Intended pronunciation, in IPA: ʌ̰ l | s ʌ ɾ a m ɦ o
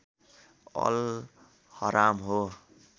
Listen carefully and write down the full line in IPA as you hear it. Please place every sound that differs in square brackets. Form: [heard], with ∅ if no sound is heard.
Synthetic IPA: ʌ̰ l | [h] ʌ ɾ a m ɦ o